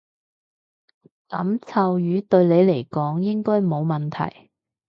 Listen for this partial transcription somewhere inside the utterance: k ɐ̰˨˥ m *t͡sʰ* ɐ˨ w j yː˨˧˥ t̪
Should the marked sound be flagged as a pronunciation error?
no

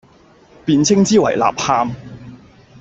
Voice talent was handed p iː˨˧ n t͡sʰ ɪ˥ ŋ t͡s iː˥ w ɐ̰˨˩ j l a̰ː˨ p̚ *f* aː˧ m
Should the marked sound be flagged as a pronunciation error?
yes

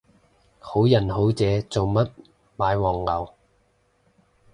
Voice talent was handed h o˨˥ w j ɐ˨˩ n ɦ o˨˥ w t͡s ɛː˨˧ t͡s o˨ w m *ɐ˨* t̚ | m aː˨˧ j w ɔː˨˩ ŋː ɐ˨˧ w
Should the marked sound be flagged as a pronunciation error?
yes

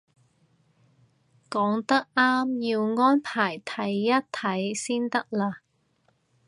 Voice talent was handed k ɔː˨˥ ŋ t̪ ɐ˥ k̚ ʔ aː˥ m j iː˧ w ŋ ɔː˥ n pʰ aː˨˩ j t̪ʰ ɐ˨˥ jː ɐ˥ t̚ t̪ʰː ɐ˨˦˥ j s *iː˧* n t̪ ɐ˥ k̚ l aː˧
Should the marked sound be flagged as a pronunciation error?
yes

